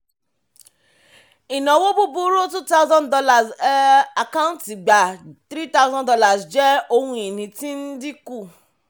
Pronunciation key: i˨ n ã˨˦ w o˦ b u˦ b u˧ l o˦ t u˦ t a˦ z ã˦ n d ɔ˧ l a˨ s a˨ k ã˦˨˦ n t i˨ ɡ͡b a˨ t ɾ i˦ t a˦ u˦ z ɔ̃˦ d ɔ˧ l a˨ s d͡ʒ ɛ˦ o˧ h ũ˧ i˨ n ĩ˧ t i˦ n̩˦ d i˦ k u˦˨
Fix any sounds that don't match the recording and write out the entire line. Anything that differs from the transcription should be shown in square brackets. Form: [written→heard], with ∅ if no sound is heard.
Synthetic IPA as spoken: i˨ n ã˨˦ w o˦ b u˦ b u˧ [l→ɾ] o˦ t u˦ t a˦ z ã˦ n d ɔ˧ l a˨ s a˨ k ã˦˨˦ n t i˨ ɡ͡b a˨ t ɾ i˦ t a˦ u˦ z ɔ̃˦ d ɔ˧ l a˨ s d͡ʒ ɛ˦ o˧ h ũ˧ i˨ n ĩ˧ t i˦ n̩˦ d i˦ k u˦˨